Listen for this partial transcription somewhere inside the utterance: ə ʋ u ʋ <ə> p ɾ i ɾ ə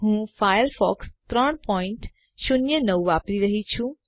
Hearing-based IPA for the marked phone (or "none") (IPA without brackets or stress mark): a